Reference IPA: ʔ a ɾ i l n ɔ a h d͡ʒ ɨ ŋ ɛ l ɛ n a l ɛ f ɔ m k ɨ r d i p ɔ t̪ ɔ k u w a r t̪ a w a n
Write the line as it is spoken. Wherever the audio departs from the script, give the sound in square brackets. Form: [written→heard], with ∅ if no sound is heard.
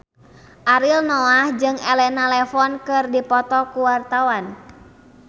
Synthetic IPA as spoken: ʔ a ɾ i l n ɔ a h d͡ʒ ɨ ŋ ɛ l ɛ n a l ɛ f ɔ [m→n] k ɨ r d i p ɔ t̪ ɔ k u w a r t̪ a w a n